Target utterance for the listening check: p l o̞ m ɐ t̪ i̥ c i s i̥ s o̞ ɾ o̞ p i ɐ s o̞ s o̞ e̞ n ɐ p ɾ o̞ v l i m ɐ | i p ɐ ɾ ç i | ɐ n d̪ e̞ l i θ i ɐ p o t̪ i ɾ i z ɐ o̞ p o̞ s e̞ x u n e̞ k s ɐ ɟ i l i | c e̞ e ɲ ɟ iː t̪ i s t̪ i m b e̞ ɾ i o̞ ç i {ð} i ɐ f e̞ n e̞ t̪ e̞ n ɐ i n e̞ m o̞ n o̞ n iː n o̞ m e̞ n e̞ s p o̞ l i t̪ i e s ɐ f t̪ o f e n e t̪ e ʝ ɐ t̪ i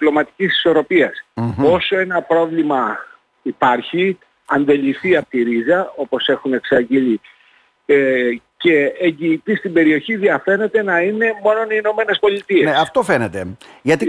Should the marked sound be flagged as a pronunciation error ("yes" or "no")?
no